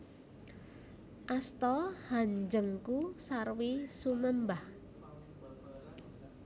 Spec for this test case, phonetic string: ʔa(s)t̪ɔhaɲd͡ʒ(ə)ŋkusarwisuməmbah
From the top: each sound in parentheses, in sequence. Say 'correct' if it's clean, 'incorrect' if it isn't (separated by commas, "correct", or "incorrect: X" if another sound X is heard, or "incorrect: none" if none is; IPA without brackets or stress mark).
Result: correct, correct